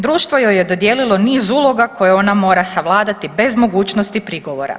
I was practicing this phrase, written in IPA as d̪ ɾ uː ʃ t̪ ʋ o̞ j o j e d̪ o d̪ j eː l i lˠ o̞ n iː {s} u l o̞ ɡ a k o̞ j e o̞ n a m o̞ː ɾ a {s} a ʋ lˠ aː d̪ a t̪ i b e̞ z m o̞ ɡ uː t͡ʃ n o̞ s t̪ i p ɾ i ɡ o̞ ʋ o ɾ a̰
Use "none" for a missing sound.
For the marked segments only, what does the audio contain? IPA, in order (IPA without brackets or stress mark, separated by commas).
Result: z, s